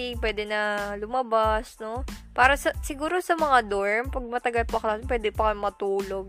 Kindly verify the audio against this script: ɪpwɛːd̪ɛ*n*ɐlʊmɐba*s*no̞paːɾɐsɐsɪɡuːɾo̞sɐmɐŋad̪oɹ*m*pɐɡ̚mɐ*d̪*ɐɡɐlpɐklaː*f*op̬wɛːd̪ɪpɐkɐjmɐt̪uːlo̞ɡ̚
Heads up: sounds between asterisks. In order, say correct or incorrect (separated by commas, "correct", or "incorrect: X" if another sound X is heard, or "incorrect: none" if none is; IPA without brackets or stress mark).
correct, correct, correct, incorrect: t̪, incorrect: s